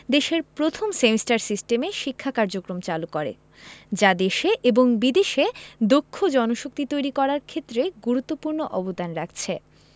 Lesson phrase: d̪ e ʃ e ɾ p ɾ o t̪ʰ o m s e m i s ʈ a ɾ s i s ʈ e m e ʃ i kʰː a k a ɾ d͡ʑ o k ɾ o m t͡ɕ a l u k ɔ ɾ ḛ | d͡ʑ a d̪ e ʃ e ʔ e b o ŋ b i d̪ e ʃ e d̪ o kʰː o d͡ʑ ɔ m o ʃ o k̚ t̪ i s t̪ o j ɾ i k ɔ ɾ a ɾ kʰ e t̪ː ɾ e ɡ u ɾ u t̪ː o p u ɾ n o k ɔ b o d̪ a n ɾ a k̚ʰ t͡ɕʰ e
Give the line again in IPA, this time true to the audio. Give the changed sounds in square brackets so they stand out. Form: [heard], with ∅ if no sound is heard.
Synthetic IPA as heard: d̪ e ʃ e ɾ p ɾ o t̪ʰ o m s e m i s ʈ a ɾ s i s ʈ e m e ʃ i kʰː a k a ɾ d͡ʑ o k ɾ o m t͡ɕ a l u k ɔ ɾ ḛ | d͡ʑ a d̪ e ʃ e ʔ e b o ŋ b i d̪ e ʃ e d̪ o kʰː o d͡ʑ ɔ [n] o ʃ o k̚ t̪ i [∅] t̪ o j ɾ i k ɔ ɾ a ɾ kʰ e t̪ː ɾ e ɡ u ɾ u t̪ː o p u ɾ n o [ʔ] ɔ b o d̪ a n ɾ a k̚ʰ t͡ɕʰ e